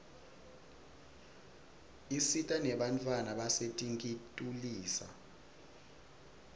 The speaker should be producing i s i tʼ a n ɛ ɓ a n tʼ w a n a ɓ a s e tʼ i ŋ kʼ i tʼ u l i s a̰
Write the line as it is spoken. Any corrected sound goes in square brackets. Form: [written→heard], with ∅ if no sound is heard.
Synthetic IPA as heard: i s i tʼ a n ɛ ɓ a n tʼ w a n a ɓ a s e tʼ i ŋ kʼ i tʼ u l [i→iː] s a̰

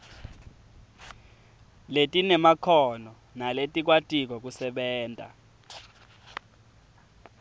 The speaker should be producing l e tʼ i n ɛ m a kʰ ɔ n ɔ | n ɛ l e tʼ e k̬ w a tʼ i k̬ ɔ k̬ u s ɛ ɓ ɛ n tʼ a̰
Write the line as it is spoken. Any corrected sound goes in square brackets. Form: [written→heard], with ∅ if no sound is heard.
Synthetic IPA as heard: l e tʼ i n ɛ m a kʰ ɔ n ɔ | n [ɛ→a] l e tʼ [e→i] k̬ w a tʼ i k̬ ɔ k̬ u s ɛ ɓ [ɛ→ɛː] n tʼ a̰

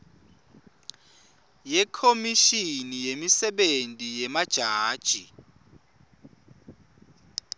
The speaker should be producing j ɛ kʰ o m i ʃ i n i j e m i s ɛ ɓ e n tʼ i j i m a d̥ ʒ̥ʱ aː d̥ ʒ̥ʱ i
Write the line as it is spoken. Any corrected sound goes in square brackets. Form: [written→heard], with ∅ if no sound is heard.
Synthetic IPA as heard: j ɛ kʰ o m i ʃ i n i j e m i s ɛ ɓ e n tʼ i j [i→ɛ] m a d̥ ʒ̥ʱ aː d̥ ʒ̥ʱ i

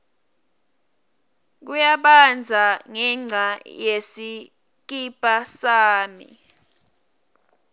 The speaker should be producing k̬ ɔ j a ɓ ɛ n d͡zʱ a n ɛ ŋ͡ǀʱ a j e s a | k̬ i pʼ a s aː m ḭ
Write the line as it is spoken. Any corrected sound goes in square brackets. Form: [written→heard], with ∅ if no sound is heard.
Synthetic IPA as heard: k̬ [ɔ→u] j a ɓ [ɛ→a] n d͡zʱ a [n→ŋ] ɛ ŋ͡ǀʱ a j e s [a→i] | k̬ i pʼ a s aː m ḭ

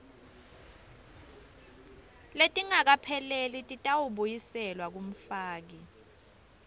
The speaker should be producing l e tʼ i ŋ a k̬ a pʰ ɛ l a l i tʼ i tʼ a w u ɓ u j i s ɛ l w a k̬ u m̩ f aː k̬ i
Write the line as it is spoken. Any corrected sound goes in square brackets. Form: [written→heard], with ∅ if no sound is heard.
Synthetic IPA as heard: l e tʼ i ŋ a k̬ a pʰ ɛ l [a→e] l i tʼ i tʼ a w u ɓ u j i s ɛ l w a k̬ u m̩ f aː k̬ i

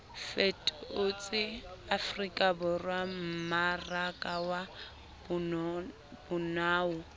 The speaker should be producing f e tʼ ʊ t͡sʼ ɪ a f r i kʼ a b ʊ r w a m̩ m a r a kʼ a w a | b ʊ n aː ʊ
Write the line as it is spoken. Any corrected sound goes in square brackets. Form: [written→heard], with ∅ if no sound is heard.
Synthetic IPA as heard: f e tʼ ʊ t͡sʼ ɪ a f r i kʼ a b ʊ r w a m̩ m a r a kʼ a w a | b ʊ n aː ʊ

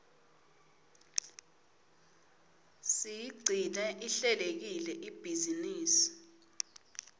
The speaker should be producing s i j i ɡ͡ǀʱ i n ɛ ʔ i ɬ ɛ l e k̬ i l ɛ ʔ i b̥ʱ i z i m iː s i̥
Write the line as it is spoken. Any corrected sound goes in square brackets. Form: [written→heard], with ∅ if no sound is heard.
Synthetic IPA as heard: s i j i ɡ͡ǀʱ i n ɛ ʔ i ɬ ɛ l e k̬ i l ɛ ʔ i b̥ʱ i z i [m→n] iː s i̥

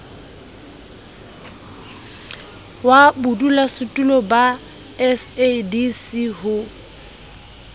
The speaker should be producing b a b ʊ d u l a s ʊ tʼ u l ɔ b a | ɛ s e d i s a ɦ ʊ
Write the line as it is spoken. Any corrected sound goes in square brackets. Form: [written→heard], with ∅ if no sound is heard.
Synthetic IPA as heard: [b→w] a b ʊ d u l a s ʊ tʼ u l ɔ b a | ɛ s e d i s [a→i] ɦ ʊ

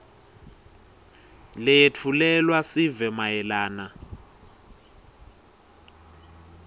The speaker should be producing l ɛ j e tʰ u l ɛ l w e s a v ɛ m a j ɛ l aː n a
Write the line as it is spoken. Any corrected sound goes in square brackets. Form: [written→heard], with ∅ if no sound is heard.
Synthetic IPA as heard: l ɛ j e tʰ u l ɛ l w [e→a] s [a→i] v ɛ m a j ɛ l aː n a

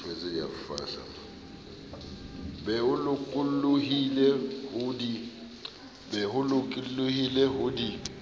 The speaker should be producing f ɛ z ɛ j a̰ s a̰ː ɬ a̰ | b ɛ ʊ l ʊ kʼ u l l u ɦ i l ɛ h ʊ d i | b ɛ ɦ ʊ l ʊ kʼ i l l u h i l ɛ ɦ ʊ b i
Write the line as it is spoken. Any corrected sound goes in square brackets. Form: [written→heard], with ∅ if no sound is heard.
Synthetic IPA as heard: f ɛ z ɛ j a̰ [s→f] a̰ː ɬ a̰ | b ɛ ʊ l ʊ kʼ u l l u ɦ i l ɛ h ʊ d i | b ɛ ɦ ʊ l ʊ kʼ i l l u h i l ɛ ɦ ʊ [b→d] i

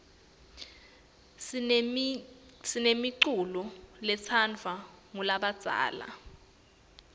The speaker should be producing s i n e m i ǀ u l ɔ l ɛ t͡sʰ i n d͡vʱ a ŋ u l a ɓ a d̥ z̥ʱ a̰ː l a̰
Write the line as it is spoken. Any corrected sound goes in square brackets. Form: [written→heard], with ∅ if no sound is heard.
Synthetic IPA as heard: s i n e m i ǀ u l ɔ l ɛ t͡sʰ [i→a] n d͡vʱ a ŋ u l a ɓ a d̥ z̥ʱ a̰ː l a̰

